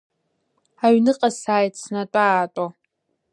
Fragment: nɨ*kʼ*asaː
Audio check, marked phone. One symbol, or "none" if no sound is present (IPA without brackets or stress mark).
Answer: qʼ